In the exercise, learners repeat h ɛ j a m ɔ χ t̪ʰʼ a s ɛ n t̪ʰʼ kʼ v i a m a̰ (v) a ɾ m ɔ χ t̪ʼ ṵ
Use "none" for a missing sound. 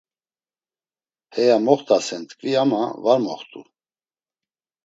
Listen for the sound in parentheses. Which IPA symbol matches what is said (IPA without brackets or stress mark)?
v